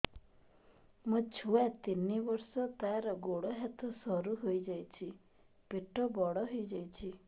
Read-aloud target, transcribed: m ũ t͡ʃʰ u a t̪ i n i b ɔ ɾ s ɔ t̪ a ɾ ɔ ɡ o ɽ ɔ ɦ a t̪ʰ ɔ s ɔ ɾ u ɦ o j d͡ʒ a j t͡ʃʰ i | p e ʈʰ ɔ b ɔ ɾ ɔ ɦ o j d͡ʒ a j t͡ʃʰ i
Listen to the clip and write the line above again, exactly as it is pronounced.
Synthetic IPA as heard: m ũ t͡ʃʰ u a t̪ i n i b ɔ ɾ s ɔ t̪ a ɾ ɔ ɡ o ɽ ɔ ɦ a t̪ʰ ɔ s ɔ ɾ u ɦ o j d͡ʒ a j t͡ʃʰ i | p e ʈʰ ɔ b ɔ ɽ ɔ ɦ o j d͡ʒ a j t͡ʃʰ i